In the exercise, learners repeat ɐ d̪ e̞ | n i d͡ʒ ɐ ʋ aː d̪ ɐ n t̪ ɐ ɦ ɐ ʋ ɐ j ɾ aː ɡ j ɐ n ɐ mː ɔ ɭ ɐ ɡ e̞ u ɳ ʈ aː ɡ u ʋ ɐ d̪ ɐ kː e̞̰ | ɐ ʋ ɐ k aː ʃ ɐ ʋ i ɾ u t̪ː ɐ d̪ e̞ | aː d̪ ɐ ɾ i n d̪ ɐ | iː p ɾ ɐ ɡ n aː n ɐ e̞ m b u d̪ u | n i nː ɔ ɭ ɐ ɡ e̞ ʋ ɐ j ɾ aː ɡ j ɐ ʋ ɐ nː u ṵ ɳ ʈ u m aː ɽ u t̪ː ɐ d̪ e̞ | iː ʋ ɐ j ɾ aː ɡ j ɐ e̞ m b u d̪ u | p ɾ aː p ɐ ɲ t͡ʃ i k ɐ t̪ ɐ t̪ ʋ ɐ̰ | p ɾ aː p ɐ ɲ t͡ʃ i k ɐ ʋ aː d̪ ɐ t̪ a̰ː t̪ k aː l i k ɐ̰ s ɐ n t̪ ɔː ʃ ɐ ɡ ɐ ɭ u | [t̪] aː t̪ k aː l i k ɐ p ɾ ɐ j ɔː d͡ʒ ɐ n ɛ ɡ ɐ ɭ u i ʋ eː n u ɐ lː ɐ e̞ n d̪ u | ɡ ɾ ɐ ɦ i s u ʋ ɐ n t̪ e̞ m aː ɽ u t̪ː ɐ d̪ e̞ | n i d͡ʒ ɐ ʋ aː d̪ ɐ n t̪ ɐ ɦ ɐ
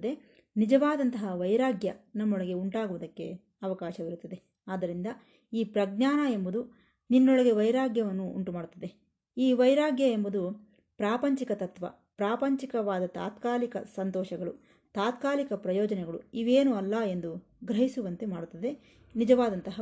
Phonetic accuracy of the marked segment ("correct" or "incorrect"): correct